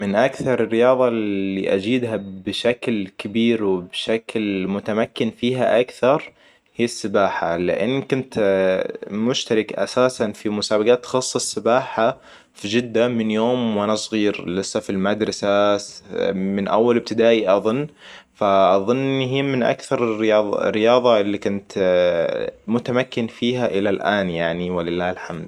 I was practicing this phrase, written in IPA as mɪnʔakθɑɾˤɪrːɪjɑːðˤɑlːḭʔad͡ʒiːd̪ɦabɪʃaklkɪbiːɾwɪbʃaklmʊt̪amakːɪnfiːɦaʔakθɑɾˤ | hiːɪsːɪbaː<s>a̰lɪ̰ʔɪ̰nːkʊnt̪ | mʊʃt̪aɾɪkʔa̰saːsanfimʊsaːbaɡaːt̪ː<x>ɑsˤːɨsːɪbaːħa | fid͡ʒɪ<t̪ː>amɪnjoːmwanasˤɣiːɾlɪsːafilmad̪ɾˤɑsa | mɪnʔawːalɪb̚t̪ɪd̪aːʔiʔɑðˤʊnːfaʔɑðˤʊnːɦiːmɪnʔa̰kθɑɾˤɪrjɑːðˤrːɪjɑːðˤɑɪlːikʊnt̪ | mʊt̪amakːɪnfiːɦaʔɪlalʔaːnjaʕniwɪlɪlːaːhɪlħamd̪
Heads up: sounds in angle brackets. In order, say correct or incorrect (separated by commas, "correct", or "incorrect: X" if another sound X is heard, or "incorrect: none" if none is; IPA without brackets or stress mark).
incorrect: ħ, correct, incorrect: d̪ː